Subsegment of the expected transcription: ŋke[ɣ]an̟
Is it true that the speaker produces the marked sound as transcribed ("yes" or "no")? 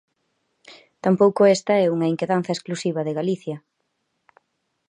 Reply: no